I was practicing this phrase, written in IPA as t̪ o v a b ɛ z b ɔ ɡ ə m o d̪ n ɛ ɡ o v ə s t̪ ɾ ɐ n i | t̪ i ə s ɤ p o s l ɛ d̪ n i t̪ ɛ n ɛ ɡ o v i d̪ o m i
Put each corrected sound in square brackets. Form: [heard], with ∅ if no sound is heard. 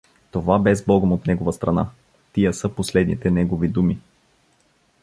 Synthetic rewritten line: t̪ o v a b ɛ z b ɔ ɡ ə m o [t̪] n ɛ ɡ o v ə s t̪ ɾ ɐ n [a] | t̪ i ə s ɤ p o s l ɛ d̪ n i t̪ ɛ n ɛ ɡ o v i d̪ [u] m i